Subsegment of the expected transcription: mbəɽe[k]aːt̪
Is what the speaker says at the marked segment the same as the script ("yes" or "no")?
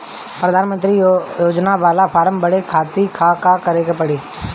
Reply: no